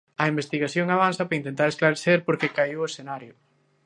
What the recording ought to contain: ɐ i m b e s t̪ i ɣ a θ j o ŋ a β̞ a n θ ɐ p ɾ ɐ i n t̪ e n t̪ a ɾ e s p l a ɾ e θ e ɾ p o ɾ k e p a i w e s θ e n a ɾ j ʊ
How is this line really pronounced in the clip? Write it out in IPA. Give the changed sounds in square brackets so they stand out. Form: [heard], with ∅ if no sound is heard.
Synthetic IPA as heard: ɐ i m b e s t̪ i ɣ a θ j o ŋ a β̞ a n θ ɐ p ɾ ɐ i n t̪ e n t̪ a ɾ e s [k] l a ɾ e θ e ɾ p o ɾ k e [k] a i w e s θ e n a ɾ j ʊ